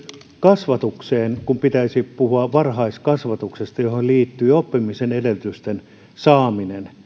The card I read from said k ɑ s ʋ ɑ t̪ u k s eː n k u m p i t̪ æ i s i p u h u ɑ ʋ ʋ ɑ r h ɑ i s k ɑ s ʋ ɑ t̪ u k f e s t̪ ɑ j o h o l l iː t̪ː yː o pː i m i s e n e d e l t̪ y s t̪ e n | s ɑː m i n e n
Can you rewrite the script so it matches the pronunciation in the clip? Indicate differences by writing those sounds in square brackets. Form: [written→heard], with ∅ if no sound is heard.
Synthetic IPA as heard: k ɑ s ʋ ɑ t̪ u k s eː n k u m p i t̪ æ i s i p u h u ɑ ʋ ʋ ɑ r h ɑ i s k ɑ s ʋ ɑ t̪ u k [f→s] e s t̪ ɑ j o h o l l iː t̪ː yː o pː i m i s e n e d e l t̪ y s t̪ e n | s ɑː m i n e n